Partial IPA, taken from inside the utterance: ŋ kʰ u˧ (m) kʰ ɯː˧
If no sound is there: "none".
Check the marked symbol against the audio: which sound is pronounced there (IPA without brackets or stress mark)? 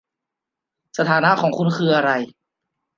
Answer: n